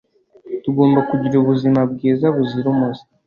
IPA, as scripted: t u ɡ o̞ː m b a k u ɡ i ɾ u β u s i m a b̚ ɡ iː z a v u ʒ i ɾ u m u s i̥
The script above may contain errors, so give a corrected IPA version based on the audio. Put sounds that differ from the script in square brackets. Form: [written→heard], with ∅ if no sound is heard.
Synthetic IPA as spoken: t u ɡ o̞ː m b a k u [ɡ→ɟ] i ɾ u β u [s→z] i m a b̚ ɡ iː z a [v→β] u [ʒ→z] i ɾ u m u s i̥